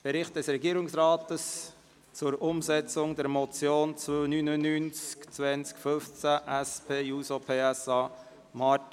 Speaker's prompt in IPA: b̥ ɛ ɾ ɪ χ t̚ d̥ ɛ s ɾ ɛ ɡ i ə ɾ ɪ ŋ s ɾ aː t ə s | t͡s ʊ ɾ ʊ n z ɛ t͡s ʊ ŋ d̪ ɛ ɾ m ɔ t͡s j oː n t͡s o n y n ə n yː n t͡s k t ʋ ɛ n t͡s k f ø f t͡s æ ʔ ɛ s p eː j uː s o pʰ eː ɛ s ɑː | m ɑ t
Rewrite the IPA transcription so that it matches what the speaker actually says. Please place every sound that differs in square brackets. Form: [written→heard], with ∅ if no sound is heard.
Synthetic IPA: b̥ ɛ ɾ ɪ χ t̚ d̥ ɛ s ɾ ɛ ɡ i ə ɾ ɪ ŋ s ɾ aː t ə s | t͡s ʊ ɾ ʊ [n→m] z ɛ t͡s ʊ ŋ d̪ ɛ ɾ m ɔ t͡s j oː n t͡s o n y n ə n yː n t͡s k [t→t͡s] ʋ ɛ n t͡s k f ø f t͡s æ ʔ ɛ s p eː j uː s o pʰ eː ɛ s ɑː | m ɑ t